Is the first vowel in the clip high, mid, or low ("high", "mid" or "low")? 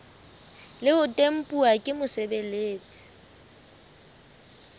high